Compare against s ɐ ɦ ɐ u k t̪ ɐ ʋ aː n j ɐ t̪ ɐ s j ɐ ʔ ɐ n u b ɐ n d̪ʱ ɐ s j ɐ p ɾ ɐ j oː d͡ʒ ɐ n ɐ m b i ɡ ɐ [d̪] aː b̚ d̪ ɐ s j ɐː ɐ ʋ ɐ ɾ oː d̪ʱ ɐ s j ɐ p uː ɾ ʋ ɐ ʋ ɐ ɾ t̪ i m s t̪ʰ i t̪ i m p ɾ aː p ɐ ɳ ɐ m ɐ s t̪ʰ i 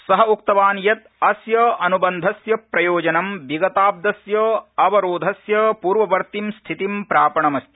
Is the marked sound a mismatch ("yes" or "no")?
yes